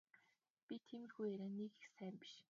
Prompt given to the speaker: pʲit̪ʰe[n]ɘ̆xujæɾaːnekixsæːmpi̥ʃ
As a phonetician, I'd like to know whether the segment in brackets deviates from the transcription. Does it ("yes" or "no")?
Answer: yes